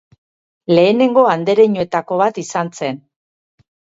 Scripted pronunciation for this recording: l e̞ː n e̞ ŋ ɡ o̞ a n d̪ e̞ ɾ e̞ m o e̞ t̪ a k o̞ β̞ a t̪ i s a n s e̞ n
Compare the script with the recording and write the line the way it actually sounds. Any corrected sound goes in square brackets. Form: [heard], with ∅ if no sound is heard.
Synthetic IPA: l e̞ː n e̞ ŋ ɡ o̞ a n d̪ e̞ ɾ e̞ [ɲ] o e̞ t̪ a k o̞ β̞ a t̪ i s a n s e̞ n